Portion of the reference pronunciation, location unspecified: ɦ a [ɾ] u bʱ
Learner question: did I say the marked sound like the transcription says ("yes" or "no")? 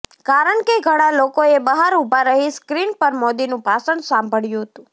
yes